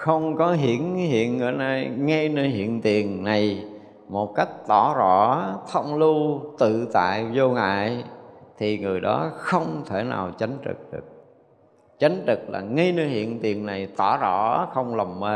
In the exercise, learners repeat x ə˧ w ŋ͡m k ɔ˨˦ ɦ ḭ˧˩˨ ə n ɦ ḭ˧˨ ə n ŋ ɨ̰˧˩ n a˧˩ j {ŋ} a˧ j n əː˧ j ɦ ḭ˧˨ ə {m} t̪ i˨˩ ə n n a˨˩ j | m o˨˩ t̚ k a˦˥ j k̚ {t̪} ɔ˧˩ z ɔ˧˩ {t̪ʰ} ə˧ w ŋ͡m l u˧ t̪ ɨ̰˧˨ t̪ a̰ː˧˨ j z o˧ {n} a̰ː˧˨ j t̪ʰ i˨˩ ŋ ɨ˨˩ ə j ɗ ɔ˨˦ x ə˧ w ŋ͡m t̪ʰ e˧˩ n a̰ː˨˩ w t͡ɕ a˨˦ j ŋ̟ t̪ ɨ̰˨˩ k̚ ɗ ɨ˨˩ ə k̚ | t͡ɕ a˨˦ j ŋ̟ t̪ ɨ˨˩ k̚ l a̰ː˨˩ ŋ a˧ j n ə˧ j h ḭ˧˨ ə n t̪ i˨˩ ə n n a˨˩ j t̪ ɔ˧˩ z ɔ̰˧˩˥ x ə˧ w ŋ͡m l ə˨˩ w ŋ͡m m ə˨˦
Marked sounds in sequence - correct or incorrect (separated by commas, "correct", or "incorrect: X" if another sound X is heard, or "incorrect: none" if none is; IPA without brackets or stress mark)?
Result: correct, incorrect: n, correct, correct, incorrect: ŋ